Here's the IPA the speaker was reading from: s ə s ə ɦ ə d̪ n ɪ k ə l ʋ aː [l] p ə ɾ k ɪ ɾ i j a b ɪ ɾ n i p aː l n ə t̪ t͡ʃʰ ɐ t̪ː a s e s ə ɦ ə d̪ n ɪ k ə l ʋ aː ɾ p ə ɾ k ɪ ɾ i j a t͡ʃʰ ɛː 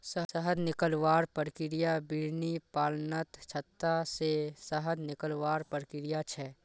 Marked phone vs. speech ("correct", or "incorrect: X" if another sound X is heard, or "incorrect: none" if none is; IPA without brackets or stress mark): incorrect: ɾ